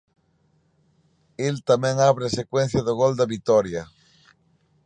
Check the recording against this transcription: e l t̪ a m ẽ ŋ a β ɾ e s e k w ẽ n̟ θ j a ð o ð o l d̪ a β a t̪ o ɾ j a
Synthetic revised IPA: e l t̪ a m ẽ ŋ a β ɾ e s e k w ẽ n̟ θ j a ð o ɣ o l d̪ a β i t̪ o ɾ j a